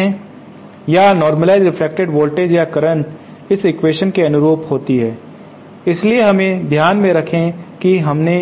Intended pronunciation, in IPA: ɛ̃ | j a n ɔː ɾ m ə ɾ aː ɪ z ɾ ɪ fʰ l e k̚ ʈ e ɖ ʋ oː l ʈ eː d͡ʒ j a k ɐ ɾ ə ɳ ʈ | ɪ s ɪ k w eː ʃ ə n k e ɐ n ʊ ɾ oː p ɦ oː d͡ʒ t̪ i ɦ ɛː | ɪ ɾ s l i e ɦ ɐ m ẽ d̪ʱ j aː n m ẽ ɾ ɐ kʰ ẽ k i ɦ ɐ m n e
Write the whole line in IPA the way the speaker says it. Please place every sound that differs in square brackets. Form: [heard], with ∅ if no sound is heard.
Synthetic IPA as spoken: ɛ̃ | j a n ɔː ɾ m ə [l] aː ɪ z ɾ ɪ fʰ l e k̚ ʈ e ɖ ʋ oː l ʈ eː d͡ʒ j a k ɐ ɾ ə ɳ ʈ | ɪ s ɪ k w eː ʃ ə n k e ɐ n ʊ ɾ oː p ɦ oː [∅] t̪ i ɦ ɛː | ɪ [∅] s l i e ɦ ɐ m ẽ d̪ʱ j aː n m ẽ ɾ ɐ kʰ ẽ k i ɦ ɐ m n e